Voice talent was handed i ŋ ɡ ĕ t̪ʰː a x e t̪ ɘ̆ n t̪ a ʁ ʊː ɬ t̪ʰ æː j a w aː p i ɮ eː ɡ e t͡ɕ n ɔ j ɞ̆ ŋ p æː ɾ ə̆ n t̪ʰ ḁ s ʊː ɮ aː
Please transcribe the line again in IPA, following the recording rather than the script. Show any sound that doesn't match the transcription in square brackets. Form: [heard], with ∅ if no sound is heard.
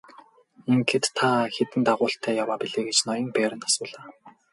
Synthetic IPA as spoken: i ŋ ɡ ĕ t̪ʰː a x e t̪ ɘ̆ n t̪ a ʁ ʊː ɬ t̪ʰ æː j a w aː p i ɮ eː ɡ e t͡ɕ n ɔ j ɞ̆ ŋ p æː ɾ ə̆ n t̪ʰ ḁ s ʊː ɮ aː

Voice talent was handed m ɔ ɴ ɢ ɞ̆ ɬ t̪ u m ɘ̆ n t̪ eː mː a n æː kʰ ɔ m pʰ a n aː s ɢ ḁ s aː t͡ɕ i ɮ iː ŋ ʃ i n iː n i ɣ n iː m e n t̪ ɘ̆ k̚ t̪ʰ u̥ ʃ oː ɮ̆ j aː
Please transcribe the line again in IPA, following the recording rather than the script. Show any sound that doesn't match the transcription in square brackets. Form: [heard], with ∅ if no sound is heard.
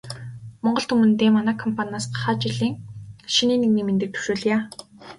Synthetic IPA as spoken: m ɔ ɴ ɢ ɞ̆ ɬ t̪ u m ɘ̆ n t̪ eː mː a n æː kʰ ɔ m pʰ a n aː s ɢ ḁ [χ] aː t͡ɕ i ɮ iː ŋ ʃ i n iː n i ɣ n iː m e n t̪ ɘ̆ k̚ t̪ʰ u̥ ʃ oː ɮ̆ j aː

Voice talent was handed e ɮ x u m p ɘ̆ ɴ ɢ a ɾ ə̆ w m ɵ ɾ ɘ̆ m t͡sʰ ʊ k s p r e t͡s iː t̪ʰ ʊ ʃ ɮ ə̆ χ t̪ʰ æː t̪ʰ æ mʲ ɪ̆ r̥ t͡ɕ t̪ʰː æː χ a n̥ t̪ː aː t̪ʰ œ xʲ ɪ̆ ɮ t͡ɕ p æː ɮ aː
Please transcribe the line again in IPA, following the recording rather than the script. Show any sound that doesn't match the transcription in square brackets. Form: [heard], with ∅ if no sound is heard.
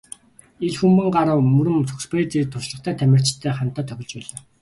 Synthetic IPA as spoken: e ɮ x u m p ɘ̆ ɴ ɢ a ɾ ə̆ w m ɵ ɾ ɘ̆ m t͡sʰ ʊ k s p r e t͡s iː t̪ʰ ʊ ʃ ɮ ə̆ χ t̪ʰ æː t̪ʰ æ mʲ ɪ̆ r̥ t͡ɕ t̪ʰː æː χ a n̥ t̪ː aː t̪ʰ œ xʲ ɪ̆ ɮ t͡ɕ p æː ɮ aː

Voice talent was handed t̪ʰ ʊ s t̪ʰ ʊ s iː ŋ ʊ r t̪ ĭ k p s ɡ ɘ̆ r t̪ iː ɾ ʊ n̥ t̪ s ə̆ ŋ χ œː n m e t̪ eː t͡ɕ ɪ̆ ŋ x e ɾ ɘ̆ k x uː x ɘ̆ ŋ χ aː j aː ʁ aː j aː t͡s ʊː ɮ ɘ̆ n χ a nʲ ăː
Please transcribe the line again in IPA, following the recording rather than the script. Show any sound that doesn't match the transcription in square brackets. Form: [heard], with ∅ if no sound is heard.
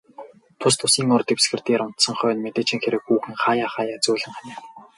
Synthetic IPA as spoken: t̪ʰ ʊ s t̪ʰ ʊ s iː ŋ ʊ r t̪ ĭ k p s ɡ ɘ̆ r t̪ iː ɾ ʊ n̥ t̪ s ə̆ ŋ χ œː n m e t̪ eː t͡ɕ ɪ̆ ŋ x e ɾ ɘ̆ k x uː x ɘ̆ ŋ χ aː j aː [χ] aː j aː t͡s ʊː ɮ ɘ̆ [ŋ] χ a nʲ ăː

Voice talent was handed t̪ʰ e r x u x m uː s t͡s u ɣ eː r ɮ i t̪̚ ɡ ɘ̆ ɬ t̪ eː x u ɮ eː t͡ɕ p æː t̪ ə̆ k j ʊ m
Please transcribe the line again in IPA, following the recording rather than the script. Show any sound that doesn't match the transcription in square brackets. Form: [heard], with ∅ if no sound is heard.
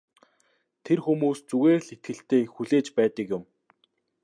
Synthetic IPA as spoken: t̪ʰ e r x u [∅] m uː s t͡s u ɣ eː r ɮ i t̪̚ ɡ ɘ̆ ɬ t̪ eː x u ɮ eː t͡ɕ p æː t̪ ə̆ k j ʊ m

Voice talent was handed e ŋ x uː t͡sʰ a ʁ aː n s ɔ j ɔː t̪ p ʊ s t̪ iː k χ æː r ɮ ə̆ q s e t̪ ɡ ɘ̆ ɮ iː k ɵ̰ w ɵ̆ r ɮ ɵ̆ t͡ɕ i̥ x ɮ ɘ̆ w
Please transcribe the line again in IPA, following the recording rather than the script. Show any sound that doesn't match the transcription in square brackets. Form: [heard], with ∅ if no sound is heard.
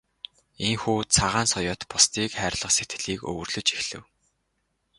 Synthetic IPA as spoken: e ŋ x uː t͡sʰ a ʁ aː n s ɔ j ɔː t̪ p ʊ s t̪ iː k χ æː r ɮ ə̆ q s e t̪ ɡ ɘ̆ ɮ iː k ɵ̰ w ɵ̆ r ɮ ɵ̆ t͡ɕ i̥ x ɮ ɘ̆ w

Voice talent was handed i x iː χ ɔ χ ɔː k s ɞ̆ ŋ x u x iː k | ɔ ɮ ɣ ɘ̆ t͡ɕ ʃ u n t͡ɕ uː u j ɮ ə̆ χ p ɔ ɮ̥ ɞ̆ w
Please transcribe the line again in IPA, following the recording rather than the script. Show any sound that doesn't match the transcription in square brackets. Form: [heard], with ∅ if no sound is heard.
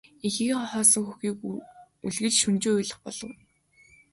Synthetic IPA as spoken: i x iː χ ɔ χ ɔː [∅] s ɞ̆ ŋ x u x iː k | [u] ɮ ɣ ɘ̆ t͡ɕ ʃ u n t͡ɕ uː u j ɮ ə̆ χ p ɔ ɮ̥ ɞ̆ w

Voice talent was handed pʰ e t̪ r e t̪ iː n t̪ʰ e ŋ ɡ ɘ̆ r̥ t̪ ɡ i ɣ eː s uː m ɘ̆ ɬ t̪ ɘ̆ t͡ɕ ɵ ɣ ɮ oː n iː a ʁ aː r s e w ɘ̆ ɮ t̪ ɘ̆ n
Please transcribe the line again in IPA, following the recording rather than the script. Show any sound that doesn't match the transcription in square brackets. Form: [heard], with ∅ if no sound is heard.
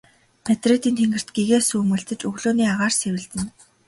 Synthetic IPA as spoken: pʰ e t̪ r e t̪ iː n t̪ʰ e ŋ ɡ ɘ̆ r̥ t̪ ɡ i ɣ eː s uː m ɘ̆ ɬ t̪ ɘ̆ t͡ɕ ɵ ɣ ɮ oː n iː a ʁ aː r s e w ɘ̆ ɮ t̪ ɘ̆ n

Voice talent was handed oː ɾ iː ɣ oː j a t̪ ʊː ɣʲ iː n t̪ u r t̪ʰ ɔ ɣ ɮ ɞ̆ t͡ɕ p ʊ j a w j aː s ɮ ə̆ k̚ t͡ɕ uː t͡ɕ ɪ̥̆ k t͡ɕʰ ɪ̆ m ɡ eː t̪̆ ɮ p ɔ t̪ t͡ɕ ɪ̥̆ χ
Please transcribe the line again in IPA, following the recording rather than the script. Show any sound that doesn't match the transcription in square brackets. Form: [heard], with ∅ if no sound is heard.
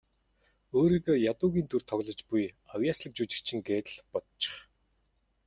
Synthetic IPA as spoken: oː ɾ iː ɣ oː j a t̪ ʊː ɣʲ iː n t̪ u r t̪ʰ ɔ ɣ ɮ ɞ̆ t͡ɕ p [u] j a w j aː s ɮ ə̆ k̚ t͡ɕ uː t͡ɕ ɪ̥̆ k t͡ɕʰ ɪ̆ [ŋ] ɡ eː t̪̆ ɮ p ɔ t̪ t͡ɕ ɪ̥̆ χ

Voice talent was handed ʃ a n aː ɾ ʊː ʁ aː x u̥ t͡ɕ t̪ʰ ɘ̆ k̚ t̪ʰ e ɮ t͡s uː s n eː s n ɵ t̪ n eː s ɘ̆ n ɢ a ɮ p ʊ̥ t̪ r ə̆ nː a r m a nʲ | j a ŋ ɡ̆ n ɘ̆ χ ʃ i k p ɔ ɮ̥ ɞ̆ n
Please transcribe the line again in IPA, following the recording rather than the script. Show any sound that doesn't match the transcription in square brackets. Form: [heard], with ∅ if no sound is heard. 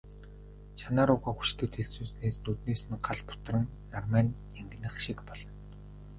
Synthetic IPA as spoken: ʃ a n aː ɾ ʊː ʁ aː x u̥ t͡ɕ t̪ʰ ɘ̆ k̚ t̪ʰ e ɮ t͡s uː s n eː s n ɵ t̪ n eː s ɘ̆ n ɢ a ɮ p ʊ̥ t̪ r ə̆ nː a r m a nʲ | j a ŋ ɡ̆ n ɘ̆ χ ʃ i k p ɔ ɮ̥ ɞ̆ n

